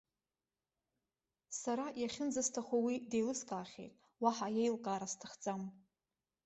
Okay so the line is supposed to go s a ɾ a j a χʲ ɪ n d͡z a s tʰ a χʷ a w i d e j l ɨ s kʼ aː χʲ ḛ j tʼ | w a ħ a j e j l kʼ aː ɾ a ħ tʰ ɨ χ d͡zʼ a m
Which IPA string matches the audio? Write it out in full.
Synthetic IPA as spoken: s a ɾ a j a χʲ ɪ n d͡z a s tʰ a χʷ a w i d e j l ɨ s kʼ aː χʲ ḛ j tʼ | w a ħ a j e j l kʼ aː ɾ a s tʰ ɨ χ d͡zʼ a m